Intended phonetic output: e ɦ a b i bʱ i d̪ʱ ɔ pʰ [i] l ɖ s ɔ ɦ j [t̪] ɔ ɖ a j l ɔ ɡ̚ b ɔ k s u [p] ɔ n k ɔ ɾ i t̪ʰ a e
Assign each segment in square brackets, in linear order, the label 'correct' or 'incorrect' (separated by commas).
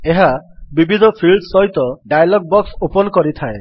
correct, correct, correct